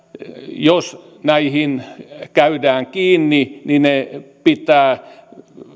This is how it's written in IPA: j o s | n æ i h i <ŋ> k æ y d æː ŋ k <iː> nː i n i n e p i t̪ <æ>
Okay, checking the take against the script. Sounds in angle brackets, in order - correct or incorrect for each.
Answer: incorrect, correct, incorrect

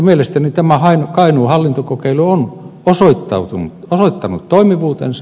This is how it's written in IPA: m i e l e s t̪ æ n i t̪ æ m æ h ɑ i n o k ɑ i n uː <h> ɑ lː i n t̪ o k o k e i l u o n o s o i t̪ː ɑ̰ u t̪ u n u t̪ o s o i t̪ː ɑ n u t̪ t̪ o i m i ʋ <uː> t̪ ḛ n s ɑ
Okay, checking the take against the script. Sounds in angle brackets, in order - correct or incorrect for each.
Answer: correct, correct

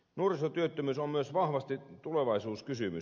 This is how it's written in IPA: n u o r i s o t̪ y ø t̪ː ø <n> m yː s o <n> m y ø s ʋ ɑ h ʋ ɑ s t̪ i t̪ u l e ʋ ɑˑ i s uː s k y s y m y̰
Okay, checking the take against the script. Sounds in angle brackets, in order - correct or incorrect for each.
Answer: incorrect, incorrect

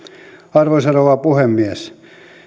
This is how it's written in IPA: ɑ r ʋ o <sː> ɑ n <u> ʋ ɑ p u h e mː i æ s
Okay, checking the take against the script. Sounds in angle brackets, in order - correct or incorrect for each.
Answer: incorrect, incorrect

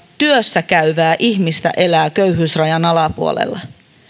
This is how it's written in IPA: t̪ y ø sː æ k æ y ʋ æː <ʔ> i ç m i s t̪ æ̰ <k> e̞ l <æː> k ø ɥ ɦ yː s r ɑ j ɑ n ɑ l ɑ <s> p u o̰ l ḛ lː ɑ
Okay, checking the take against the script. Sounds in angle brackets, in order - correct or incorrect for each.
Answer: correct, incorrect, correct, incorrect

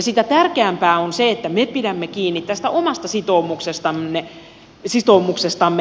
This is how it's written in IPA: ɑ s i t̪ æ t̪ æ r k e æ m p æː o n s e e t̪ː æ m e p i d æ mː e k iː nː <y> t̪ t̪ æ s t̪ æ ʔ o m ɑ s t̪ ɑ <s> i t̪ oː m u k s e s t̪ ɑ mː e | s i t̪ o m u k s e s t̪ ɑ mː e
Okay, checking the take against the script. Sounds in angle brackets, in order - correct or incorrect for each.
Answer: incorrect, correct

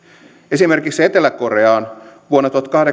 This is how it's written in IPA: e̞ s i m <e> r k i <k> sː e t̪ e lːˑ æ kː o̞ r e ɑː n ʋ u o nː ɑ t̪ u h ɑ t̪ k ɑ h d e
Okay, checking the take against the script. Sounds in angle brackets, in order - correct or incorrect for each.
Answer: correct, correct

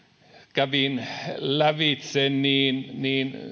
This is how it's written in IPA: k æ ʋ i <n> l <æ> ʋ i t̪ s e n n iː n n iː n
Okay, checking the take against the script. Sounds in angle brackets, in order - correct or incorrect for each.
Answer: correct, correct

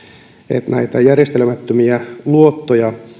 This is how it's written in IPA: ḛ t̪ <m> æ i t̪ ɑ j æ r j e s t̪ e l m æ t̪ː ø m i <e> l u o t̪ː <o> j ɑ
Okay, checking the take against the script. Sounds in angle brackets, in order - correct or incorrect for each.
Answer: incorrect, incorrect, correct

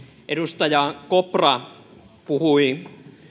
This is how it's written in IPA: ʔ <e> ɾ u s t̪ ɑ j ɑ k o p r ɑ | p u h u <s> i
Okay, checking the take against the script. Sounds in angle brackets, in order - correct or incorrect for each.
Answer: correct, incorrect

